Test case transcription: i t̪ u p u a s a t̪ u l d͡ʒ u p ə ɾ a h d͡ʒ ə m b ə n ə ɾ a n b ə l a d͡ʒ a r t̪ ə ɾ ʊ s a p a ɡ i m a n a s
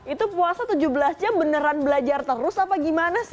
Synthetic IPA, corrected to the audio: i t̪ u p u a s a t̪ u d͡ʒ u b ə l a s d͡ʒ a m b ə n ə ɾ a n b ə l a d͡ʒ a r t̪ ə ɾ ʊ s a p a ɡ i m a n a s